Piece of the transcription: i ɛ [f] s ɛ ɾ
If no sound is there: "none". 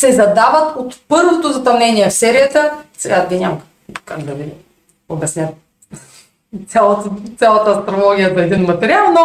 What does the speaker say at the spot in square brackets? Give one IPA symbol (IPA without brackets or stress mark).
f